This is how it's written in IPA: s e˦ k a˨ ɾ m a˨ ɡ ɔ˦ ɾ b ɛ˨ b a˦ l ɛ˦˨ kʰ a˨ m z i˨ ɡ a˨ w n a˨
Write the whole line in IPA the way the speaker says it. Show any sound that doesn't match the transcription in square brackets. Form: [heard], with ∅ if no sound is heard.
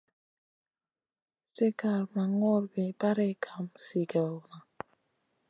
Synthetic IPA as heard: s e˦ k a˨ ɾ m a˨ [ŋ] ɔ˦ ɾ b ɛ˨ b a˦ [ɾ] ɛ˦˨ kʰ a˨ m [s] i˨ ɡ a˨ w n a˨